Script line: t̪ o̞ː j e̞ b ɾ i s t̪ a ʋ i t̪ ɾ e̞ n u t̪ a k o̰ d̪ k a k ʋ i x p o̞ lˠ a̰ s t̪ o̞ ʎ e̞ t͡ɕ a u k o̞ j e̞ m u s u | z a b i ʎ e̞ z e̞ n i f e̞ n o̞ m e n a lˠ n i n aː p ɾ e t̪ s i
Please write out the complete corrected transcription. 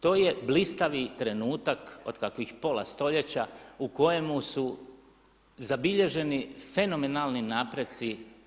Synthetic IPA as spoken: t̪ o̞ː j e̞ b l i s t̪ a ʋ i t̪ ɾ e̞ n uː t̪ a k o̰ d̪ k a k ʋ i x p o̞ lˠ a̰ s t̪ o̞ ʎ e̞ t͡ɕ a u k o̞ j e̞ m u s u | z a b i ʎ e̞ ʒ e̞ n i f e̞ n o̞ m e n a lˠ n i n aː p ɾ e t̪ s i